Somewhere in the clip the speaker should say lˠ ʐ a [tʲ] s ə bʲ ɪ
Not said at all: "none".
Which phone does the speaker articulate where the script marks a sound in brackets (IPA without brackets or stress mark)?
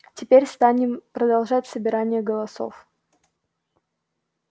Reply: tʲ